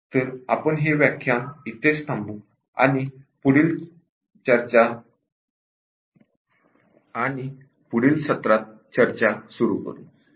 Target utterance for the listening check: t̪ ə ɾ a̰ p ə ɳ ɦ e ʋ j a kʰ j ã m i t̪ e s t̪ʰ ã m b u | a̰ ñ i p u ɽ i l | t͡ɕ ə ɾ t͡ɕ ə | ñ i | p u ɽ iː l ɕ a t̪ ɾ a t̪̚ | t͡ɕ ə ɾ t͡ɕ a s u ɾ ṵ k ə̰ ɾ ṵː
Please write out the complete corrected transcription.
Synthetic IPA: t̪ ə ɾ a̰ p ə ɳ ɦ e ʋ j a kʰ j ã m i t̪ e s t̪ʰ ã m b u | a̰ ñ i p u ɽ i l | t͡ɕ ə ɾ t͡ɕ a | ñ i | p u ɽ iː l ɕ ə t̪ ɾ a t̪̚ | t͡ɕ ə ɾ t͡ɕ a s u ɾ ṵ k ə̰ ɾ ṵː